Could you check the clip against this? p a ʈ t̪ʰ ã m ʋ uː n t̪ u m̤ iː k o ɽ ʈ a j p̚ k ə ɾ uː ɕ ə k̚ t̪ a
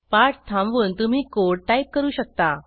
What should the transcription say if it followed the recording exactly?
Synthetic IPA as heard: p a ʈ t̪ʰ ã m ʋ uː n t̪ u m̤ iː k o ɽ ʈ a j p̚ k ə ɾ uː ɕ ə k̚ t̪ a